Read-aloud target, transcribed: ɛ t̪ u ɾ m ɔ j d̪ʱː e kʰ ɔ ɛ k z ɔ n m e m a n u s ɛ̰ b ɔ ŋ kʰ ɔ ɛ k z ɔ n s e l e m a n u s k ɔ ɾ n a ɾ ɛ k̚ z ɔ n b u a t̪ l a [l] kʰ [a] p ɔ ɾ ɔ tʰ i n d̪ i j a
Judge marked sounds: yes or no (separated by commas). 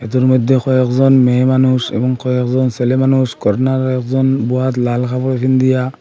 yes, yes